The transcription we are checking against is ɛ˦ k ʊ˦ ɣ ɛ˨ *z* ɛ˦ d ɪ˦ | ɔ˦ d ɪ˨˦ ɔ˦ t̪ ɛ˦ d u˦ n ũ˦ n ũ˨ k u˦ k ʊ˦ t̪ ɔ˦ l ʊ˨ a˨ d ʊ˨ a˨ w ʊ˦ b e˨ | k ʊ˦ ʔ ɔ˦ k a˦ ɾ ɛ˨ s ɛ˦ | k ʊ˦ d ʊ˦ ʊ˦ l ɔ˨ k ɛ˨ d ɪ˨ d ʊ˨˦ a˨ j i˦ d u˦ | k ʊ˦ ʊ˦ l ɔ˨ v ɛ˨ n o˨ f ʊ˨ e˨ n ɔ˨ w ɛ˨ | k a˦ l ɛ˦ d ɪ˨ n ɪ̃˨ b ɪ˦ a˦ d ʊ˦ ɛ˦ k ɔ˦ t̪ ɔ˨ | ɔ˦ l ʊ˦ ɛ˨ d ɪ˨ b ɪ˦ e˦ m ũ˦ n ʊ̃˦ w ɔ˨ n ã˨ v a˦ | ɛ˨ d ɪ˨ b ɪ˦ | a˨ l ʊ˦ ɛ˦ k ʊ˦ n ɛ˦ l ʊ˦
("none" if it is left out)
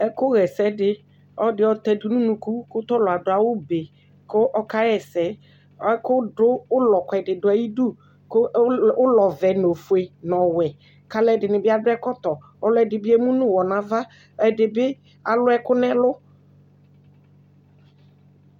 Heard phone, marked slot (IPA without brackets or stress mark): s